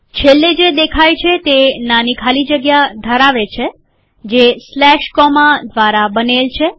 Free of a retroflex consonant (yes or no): yes